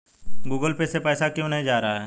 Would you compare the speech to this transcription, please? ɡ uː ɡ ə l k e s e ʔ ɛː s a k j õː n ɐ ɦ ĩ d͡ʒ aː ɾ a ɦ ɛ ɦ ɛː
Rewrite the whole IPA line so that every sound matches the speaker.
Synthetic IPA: ɡ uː ɡ ə l p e s e p ɛː s a k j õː n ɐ ɦ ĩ d͡ʒ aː ɾ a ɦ a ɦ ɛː